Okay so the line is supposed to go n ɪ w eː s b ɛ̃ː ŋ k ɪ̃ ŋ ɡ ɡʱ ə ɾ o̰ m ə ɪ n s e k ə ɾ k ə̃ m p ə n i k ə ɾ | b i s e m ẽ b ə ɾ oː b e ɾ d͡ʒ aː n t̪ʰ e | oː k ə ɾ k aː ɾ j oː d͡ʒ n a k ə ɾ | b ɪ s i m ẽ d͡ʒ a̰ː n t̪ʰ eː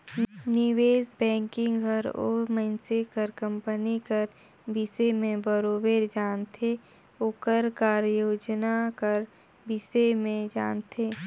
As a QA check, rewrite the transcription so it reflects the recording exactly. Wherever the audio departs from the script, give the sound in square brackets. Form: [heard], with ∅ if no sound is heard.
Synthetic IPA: n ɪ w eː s b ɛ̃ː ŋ k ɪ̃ ŋ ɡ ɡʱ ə ɾ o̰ m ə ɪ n s e k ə ɾ k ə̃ m p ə n i k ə ɾ | b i s e m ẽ b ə ɾ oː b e ɾ d͡ʒ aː n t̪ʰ e | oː k ə ɾ k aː ɾ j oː d͡ʒ n a k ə ɾ | b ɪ s [e] m ẽ d͡ʒ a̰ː n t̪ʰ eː

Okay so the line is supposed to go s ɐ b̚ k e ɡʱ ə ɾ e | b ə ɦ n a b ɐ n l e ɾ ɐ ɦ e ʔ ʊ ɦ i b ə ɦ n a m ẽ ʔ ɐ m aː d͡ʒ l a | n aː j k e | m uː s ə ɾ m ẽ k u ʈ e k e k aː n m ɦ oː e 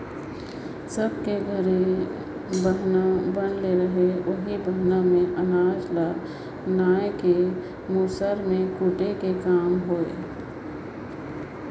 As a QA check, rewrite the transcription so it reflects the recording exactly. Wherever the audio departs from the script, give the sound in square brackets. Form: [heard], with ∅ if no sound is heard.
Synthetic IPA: s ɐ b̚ k e ɡʱ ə ɾ e | b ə ɦ n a b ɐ n l e ɾ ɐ ɦ e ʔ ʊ ɦ i b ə ɦ n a m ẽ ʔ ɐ [n] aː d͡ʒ l a | n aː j k e | m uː s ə ɾ m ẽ k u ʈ e k e k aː [∅] m ɦ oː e

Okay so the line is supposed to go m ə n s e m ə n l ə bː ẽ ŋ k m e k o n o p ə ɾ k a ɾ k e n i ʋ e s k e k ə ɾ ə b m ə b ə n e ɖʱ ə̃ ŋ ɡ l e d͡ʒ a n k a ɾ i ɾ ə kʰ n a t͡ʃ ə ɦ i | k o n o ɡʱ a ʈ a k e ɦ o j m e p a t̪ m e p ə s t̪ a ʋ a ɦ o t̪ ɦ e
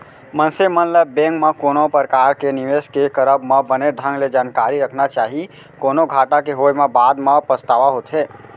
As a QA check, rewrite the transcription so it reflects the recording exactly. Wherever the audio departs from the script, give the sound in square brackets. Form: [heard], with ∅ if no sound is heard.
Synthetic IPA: m ə n s e m ə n l ə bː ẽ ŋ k m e k o n o p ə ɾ k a ɾ k e n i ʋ e s k e k ə ɾ ə b m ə b ə n e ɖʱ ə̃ ŋ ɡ l e d͡ʒ a n k a ɾ i ɾ ə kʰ n a t͡ʃ [a] ɦ i | k o n o ɡʱ a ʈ a k e ɦ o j m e [b] a [d̪] m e p ə s t̪ a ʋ a ɦ o t̪ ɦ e

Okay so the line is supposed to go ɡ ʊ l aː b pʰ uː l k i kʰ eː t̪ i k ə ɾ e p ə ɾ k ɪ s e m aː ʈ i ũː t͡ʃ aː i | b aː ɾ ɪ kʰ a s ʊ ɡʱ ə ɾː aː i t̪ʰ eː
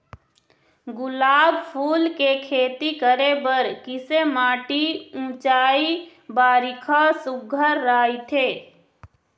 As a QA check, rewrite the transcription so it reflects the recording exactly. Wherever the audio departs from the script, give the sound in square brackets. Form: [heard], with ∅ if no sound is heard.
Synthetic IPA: ɡ ʊ l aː b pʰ uː l k [e] kʰ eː t̪ i k ə ɾ e [b] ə ɾ k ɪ s e m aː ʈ i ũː t͡ʃ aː i | b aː ɾ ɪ kʰ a s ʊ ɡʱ ə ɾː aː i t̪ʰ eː

